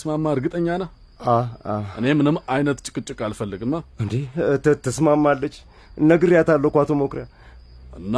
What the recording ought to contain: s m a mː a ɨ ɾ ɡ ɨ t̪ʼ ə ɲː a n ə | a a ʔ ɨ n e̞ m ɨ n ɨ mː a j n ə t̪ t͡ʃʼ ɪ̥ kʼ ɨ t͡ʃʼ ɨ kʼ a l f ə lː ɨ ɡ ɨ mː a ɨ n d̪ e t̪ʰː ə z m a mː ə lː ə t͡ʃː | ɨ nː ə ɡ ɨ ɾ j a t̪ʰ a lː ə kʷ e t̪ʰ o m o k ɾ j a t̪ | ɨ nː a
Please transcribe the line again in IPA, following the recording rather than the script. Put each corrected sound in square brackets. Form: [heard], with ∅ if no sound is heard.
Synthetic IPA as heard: s m a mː a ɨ ɾ ɡ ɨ t̪ʼ ə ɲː a n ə | a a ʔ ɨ n e̞ m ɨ n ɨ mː a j n ə t̪ t͡ʃʼ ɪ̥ kʼ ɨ t͡ʃʼ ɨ kʼ a l f ə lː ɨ ɡ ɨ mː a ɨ n d̪ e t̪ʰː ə [s] m a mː [a] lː ə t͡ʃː | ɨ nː ə ɡ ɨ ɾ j a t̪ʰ a lː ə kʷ [a] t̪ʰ o m o k ɾ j a [∅] | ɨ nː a